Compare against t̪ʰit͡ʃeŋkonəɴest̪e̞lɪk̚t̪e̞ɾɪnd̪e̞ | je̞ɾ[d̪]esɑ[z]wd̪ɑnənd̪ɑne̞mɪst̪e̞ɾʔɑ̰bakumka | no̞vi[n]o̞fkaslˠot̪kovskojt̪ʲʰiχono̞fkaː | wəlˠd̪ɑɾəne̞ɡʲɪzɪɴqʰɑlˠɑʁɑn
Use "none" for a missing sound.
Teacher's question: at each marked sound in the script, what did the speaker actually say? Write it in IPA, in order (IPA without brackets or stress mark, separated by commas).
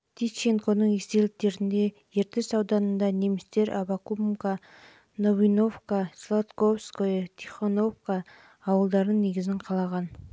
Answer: t̪, none, n